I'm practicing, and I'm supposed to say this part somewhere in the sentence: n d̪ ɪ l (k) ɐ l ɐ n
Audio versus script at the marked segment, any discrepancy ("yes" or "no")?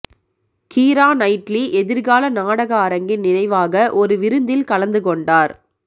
no